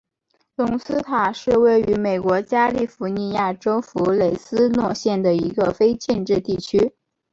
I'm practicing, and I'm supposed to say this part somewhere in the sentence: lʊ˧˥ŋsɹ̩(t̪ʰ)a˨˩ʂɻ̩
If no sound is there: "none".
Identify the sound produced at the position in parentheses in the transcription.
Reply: t̪ʰ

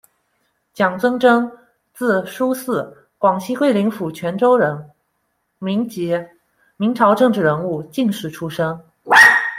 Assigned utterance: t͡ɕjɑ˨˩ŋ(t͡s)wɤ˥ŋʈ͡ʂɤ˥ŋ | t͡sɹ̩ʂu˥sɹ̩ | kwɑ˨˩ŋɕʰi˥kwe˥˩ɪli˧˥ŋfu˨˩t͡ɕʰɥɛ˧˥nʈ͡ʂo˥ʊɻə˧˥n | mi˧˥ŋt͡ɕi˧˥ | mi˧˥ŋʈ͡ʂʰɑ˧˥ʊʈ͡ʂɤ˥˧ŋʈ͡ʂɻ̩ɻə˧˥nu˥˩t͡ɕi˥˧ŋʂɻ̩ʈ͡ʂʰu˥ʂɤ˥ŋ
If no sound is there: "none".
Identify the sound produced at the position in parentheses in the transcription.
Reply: t͡s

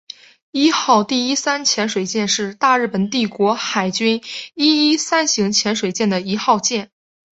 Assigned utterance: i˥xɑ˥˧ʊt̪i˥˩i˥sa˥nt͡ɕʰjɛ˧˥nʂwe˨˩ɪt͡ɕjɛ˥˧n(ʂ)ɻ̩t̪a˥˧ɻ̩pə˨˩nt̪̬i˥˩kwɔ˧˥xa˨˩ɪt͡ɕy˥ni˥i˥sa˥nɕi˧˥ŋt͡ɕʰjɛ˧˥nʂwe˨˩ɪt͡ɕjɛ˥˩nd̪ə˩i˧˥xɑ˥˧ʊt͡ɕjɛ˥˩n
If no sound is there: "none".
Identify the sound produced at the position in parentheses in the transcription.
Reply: ʂ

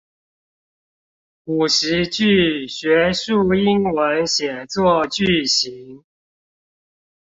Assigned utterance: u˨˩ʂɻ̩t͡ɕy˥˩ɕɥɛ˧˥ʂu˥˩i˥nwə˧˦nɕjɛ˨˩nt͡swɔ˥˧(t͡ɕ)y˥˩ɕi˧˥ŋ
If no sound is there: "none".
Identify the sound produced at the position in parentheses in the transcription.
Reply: t͡ɕ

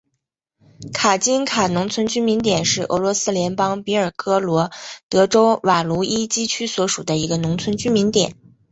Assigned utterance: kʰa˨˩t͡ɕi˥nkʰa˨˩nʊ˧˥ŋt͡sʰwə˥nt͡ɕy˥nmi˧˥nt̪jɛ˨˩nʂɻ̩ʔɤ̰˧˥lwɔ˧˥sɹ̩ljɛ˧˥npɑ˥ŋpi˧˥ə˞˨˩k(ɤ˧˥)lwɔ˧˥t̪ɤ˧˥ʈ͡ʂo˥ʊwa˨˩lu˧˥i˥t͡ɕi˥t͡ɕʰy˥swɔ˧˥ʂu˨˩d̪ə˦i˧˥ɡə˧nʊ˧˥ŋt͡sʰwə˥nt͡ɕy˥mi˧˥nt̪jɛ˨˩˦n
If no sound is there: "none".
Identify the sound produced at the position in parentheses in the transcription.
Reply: ɤ˥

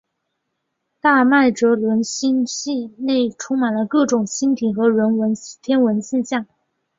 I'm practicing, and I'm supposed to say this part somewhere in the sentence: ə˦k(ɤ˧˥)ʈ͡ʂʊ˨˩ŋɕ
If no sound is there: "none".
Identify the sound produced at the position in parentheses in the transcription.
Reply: ɤ˥˩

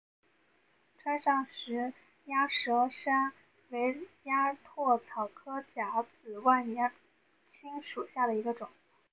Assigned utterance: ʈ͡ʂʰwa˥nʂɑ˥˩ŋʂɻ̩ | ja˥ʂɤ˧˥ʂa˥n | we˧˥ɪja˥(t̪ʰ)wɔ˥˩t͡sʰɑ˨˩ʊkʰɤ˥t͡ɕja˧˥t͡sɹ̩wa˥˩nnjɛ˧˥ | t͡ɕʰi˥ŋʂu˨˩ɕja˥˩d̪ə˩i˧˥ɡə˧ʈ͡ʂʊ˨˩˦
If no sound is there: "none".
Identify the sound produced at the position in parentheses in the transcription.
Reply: t̪ʰ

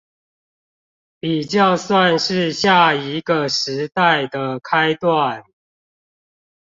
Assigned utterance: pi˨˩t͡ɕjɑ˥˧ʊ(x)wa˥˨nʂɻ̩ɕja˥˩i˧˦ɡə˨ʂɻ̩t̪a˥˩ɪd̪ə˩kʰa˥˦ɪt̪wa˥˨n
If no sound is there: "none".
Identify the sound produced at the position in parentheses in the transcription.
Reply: s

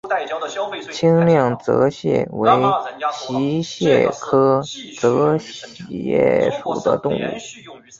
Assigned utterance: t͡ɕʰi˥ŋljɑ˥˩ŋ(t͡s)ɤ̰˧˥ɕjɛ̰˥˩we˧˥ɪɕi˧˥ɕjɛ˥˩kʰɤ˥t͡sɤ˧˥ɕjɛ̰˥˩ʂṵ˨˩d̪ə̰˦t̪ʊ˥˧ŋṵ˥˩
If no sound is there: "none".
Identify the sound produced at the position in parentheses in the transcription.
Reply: t͡s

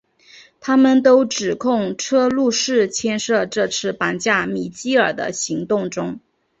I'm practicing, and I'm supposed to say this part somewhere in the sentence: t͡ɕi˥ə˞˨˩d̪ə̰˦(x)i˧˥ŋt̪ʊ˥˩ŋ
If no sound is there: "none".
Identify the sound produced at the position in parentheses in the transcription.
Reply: ɕ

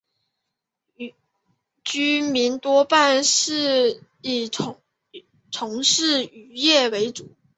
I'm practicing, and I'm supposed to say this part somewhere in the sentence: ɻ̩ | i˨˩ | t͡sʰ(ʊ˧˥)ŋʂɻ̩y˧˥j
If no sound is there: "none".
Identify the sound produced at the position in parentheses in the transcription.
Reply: ʊ˧˥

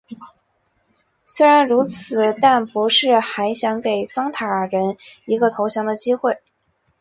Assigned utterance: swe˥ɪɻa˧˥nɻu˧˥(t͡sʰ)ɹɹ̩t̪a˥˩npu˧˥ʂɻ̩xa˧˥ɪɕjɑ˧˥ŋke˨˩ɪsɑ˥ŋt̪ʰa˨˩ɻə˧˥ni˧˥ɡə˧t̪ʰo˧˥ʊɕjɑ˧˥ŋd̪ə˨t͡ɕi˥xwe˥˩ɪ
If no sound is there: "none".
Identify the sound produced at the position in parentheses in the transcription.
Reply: t͡sʰ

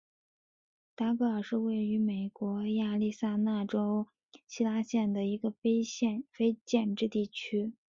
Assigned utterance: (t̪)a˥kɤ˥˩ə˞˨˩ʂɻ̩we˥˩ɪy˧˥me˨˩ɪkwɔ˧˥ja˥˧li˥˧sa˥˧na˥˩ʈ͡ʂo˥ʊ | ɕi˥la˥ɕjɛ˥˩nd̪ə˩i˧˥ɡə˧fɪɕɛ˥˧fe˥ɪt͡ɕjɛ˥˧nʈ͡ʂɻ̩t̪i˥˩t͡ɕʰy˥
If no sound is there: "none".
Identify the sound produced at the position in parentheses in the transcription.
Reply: t̪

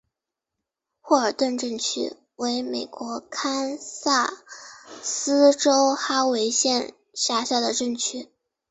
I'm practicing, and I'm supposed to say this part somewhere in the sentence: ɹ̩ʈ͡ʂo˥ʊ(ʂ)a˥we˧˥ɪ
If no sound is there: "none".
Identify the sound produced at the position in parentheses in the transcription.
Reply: x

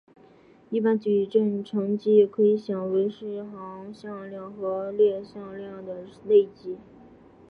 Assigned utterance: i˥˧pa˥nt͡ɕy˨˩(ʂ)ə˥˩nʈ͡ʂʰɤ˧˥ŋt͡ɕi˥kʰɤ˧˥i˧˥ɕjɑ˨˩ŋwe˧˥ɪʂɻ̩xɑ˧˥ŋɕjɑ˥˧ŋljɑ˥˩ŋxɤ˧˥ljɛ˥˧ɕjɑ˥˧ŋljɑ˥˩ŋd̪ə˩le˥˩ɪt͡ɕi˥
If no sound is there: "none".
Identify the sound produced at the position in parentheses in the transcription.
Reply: ʈ͡ʂ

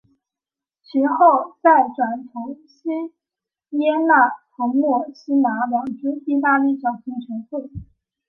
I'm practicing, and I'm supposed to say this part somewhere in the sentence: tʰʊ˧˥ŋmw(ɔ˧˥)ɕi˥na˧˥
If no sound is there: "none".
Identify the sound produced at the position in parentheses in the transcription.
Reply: ɔ˥˩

